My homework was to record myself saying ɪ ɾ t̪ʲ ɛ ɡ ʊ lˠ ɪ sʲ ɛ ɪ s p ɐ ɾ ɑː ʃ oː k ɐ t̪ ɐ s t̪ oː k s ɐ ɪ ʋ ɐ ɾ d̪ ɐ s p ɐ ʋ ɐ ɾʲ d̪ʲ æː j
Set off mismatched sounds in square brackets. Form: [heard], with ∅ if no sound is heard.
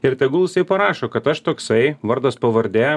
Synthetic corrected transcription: ɪ ɾ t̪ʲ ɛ ɡ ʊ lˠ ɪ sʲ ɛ ɪ [∅] p ɐ ɾ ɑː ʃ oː k ɐ t̪ ɐ [ʃ] t̪ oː k s ɐ ɪ ʋ ɐ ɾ d̪ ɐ s p ɐ ʋ ɐ ɾʲ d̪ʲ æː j

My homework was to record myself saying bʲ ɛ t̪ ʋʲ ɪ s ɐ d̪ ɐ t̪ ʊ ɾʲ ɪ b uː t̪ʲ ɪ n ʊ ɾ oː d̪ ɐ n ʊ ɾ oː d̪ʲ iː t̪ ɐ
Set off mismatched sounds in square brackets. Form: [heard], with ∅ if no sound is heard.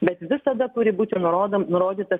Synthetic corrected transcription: bʲ ɛ t̪ ʋʲ ɪ s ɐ d̪ ɐ t̪ ʊ ɾʲ ɪ b uː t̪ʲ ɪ n ʊ ɾ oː d̪ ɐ n ʊ ɾ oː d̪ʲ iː t̪ ɐ

